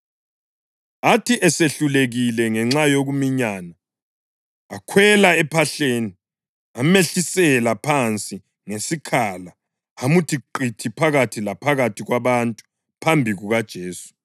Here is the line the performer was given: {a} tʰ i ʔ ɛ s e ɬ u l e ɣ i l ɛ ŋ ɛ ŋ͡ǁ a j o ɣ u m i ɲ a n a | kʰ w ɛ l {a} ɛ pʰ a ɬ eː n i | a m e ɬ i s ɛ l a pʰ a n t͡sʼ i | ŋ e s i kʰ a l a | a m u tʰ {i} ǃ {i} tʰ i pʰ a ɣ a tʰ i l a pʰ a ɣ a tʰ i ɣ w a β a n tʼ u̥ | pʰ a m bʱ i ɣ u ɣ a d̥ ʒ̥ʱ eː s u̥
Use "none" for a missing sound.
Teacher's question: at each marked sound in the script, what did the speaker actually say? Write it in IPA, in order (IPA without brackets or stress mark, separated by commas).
a, a, i, i